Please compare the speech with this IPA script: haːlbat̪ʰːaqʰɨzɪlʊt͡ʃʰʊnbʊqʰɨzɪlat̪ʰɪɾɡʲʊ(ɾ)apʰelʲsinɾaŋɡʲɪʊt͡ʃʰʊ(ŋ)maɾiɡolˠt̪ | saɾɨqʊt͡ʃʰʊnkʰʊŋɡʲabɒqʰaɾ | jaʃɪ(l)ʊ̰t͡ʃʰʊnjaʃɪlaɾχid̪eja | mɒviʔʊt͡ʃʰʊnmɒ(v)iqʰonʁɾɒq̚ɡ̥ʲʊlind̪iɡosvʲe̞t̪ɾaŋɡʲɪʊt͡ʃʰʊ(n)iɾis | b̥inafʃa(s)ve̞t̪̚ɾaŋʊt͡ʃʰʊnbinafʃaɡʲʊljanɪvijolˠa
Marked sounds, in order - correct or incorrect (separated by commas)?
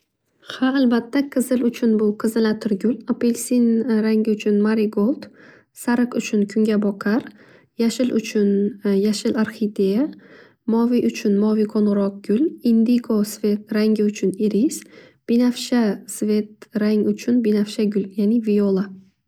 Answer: incorrect, incorrect, correct, correct, correct, correct